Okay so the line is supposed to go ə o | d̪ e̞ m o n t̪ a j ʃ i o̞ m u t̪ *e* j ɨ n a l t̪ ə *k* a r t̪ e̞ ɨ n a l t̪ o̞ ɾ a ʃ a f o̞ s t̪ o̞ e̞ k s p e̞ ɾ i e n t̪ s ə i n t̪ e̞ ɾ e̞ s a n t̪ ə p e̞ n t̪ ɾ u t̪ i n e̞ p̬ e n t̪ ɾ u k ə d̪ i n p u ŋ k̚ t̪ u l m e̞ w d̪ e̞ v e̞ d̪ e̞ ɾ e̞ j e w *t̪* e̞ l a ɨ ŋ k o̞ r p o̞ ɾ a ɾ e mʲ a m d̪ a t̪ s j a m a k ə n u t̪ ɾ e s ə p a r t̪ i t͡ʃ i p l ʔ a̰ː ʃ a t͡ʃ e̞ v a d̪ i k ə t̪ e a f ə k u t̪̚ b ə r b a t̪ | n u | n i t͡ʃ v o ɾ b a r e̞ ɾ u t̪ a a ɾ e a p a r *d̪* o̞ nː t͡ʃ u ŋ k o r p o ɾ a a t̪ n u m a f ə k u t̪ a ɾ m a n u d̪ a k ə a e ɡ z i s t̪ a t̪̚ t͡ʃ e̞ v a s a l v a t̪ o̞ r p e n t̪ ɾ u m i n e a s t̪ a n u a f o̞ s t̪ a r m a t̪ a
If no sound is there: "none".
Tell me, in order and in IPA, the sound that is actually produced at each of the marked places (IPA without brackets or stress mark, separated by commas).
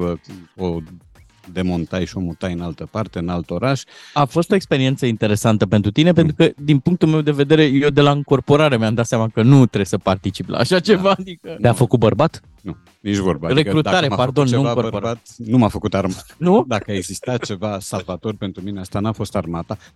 a, p, d̪, d̪